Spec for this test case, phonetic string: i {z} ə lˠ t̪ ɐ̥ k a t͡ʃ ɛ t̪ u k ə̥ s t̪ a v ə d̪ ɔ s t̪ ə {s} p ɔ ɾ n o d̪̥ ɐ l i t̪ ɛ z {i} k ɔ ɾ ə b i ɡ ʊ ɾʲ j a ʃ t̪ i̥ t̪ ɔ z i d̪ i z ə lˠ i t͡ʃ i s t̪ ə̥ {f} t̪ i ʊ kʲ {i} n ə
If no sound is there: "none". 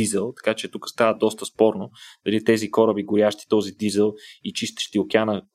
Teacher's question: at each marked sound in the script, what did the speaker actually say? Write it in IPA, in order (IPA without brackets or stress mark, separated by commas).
z, s, i, ʃ, a